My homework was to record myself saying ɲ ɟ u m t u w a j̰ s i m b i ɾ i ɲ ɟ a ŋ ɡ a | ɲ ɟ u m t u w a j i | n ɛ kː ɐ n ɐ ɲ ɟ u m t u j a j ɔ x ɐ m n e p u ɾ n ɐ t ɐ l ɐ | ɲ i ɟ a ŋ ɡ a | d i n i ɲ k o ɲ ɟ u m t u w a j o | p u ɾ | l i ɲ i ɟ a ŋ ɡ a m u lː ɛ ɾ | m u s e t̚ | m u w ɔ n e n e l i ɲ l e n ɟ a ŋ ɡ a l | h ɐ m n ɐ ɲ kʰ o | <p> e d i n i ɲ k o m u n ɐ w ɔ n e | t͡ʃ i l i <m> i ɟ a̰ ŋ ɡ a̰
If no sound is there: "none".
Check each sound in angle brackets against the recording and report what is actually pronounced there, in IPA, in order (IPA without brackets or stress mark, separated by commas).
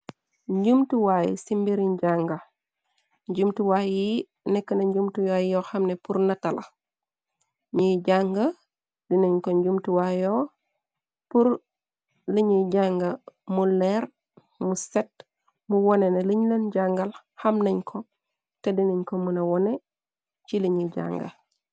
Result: t, ɲ